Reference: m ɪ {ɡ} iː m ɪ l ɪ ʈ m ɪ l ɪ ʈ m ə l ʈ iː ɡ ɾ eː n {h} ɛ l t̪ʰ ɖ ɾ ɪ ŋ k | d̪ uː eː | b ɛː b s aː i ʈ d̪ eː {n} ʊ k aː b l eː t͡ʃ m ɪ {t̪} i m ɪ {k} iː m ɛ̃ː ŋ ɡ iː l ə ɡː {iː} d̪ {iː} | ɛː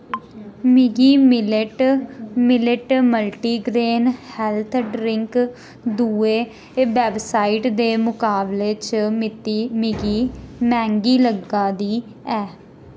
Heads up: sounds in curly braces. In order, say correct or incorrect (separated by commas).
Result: correct, correct, incorrect, correct, incorrect, incorrect, correct